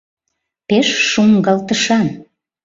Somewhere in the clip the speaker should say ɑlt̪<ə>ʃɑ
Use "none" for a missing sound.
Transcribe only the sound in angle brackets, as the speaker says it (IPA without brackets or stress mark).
ə